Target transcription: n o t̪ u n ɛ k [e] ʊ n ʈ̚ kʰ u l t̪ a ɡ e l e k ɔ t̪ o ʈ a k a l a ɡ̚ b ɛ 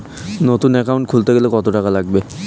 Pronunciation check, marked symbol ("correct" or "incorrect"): incorrect